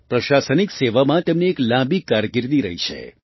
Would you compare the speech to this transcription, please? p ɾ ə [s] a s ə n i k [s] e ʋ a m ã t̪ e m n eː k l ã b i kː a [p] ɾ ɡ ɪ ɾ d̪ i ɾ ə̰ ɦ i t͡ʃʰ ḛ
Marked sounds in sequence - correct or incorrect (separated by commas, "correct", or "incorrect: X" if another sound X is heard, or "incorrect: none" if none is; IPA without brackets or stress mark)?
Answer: incorrect: ʃ, correct, incorrect: none